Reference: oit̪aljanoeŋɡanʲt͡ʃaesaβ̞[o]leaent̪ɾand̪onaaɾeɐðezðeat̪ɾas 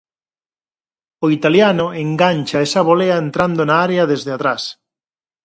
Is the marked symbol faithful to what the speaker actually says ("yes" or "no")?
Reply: yes